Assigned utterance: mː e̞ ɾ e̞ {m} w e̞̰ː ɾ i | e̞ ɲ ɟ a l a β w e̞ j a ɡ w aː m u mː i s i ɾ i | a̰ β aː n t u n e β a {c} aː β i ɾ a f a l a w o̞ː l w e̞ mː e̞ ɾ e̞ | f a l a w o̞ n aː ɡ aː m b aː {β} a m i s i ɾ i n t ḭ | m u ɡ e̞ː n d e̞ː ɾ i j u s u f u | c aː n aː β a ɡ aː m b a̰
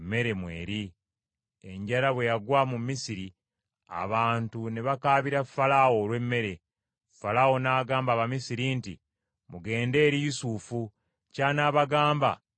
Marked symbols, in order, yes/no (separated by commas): yes, no, yes